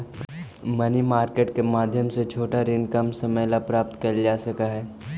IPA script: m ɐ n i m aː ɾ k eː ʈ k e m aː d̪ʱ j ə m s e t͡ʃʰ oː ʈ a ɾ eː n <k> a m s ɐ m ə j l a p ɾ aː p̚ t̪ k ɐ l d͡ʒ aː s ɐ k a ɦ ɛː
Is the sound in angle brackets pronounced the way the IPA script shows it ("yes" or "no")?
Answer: yes